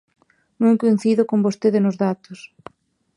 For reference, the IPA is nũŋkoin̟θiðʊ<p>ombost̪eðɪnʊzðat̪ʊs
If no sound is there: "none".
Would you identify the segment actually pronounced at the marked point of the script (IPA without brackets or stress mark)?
k